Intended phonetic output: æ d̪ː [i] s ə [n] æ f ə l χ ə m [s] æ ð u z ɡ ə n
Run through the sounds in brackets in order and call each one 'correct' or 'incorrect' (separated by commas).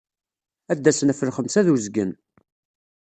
incorrect, correct, correct